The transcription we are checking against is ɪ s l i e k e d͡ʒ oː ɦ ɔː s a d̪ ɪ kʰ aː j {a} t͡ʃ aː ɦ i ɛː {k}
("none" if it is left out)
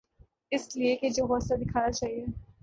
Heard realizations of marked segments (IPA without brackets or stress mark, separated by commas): a, none